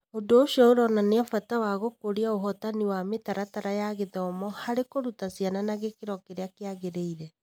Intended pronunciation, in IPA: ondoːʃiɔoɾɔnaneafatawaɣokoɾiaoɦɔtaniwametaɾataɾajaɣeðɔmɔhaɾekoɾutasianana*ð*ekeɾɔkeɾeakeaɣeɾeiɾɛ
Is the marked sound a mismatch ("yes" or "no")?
yes